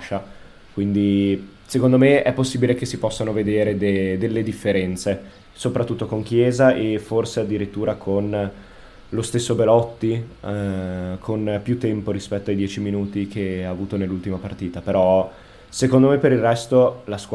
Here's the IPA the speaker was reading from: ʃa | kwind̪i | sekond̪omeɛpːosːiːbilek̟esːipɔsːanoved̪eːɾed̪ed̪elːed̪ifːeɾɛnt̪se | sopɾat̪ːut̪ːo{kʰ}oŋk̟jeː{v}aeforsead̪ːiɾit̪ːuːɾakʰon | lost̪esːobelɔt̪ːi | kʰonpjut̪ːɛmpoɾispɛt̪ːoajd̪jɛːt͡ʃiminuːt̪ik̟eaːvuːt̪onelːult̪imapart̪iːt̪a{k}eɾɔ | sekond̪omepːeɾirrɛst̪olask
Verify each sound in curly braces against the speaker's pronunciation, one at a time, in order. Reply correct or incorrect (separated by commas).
incorrect, incorrect, incorrect